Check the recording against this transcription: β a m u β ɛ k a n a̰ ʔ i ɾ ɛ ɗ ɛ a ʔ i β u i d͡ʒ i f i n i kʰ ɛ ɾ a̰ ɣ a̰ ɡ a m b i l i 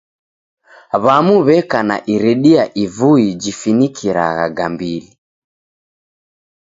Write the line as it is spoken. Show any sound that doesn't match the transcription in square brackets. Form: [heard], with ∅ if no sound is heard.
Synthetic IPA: β a m u β ɛ k a n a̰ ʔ i ɾ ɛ ɗ [i] a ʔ i [v] u i d͡ʒ i f i n i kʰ [i] ɾ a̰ ɣ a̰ ɡ a m b i l i